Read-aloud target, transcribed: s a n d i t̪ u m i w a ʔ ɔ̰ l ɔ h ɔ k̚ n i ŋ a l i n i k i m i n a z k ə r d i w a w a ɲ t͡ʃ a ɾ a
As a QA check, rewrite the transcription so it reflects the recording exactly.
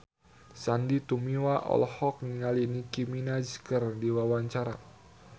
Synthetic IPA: s a n d i t̪ u m i w a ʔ ɔ̰ l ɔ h ɔ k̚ n i ŋ a l i n i k i m i n a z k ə r d i w a w a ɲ t͡ʃ a ɾ a